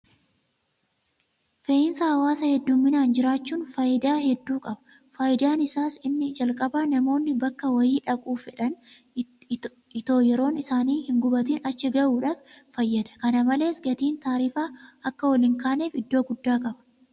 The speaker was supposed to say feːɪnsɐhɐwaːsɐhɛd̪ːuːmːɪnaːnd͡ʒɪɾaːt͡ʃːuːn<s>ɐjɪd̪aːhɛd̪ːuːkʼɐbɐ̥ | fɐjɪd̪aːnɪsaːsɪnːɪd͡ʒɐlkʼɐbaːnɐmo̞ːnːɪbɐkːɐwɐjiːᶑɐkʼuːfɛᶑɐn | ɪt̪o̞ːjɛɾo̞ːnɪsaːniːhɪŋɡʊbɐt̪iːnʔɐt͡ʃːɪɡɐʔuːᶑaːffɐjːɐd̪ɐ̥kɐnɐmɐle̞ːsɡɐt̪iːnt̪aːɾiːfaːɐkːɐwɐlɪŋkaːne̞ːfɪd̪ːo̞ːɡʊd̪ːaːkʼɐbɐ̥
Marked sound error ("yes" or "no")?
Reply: yes